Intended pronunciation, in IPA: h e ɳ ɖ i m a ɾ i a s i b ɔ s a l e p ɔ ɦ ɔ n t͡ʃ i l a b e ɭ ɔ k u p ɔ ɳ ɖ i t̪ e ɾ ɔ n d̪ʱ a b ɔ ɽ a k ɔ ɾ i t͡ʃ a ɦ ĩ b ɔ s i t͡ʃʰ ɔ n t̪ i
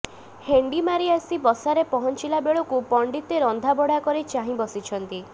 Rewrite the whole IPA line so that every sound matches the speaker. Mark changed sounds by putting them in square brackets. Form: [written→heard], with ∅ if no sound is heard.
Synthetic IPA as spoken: h e ɳ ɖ i m a ɾ i a s i b ɔ s a [l→ɾ] e p ɔ ɦ ɔ n t͡ʃ i l a b e ɭ ɔ k u p ɔ ɳ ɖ i t̪ e ɾ ɔ n d̪ʱ a b ɔ ɽ a k ɔ ɾ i t͡ʃ a ɦ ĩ b ɔ s i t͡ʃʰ ɔ n t̪ i